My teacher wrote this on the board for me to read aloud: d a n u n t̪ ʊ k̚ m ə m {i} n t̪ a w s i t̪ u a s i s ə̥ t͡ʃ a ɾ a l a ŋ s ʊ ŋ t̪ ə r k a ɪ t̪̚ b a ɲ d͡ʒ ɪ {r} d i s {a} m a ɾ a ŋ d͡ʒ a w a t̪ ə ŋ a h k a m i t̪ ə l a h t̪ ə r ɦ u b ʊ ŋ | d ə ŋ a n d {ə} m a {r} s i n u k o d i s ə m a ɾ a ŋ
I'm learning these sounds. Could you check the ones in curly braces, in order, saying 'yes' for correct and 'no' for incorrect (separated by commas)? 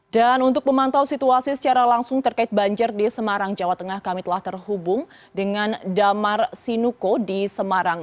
no, yes, no, no, yes